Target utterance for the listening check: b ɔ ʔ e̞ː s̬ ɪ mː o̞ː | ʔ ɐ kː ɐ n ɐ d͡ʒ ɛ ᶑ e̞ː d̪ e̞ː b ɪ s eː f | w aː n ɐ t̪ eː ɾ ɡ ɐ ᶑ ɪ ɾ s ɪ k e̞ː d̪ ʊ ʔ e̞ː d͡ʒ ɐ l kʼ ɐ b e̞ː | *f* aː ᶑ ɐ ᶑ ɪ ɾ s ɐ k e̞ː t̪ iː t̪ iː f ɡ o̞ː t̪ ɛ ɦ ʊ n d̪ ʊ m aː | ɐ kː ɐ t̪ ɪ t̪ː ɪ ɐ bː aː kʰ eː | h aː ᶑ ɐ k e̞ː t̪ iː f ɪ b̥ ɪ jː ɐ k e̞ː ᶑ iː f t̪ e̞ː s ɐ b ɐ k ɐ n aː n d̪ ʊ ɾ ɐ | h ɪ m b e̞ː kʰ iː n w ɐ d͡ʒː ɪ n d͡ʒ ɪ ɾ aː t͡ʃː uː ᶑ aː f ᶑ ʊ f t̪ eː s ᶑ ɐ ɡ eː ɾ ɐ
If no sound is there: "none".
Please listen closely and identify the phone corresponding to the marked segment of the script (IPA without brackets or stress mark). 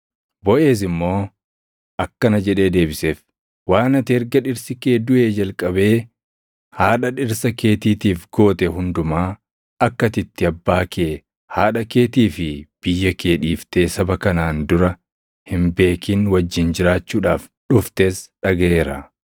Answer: h